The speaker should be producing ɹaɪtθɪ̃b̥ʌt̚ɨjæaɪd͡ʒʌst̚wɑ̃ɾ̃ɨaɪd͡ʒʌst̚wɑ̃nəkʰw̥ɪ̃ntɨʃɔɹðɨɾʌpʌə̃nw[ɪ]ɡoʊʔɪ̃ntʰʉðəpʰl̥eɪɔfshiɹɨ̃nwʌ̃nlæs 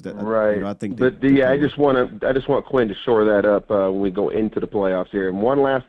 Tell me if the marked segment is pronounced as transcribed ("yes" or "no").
no